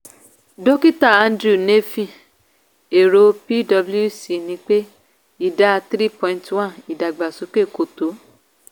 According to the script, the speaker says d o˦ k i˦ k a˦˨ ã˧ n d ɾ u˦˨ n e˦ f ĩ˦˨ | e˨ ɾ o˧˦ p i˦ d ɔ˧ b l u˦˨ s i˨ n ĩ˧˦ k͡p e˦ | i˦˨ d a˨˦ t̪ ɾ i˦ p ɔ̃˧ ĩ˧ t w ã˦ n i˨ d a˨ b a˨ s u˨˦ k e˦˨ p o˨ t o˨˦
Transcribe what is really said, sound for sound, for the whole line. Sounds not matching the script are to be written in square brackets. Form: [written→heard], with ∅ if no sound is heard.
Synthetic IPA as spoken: d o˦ k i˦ [k→t] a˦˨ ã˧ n d ɾ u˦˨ n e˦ f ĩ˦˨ | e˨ ɾ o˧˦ p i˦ d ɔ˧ b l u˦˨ s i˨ n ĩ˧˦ k͡p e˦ | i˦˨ d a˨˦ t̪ ɾ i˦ p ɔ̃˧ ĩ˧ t w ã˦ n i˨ d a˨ [b→ɡ͡b] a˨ s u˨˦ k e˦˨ [p→k] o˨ t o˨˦